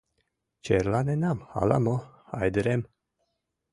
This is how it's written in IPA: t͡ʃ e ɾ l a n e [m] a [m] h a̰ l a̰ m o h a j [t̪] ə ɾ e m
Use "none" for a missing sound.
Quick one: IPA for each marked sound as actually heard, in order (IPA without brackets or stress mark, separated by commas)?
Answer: n, m, d̪